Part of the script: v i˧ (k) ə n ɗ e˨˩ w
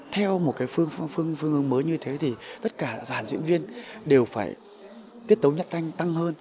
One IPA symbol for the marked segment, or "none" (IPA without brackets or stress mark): none